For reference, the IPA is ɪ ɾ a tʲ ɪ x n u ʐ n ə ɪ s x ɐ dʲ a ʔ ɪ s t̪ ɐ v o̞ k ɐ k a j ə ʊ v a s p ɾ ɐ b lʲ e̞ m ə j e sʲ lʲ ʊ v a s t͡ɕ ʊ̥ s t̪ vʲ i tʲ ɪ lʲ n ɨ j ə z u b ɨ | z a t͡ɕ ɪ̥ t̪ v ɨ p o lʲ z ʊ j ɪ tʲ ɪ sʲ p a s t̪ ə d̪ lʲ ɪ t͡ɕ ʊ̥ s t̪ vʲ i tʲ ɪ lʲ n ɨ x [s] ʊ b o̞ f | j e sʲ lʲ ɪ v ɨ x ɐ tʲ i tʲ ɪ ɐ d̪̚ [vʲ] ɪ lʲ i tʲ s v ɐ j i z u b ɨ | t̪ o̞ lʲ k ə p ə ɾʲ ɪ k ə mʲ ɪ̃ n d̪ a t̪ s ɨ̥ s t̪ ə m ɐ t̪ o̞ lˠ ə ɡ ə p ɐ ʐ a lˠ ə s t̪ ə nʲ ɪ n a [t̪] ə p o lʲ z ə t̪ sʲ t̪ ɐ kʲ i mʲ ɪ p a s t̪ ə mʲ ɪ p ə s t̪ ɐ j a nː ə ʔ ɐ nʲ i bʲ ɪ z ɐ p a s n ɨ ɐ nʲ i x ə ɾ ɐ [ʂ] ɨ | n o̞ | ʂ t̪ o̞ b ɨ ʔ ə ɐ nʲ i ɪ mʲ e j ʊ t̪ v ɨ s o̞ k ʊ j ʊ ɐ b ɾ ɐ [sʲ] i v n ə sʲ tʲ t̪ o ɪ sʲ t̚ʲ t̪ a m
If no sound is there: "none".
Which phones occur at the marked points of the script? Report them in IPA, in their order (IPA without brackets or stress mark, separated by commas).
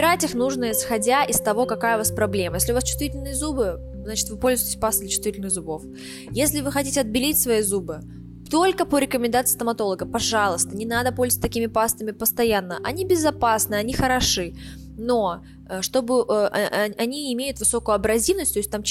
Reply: z, bʲ, d̪, ʂ, zʲ